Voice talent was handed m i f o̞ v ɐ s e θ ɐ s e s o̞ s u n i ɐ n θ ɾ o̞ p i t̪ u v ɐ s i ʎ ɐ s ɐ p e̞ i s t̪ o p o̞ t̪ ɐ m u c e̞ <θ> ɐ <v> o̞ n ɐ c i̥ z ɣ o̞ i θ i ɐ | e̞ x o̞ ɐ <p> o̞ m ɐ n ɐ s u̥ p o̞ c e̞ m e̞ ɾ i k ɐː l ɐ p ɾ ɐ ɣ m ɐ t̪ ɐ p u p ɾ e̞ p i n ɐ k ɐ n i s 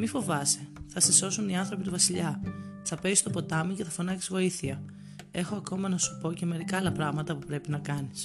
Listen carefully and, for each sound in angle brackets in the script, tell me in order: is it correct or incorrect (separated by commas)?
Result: correct, incorrect, incorrect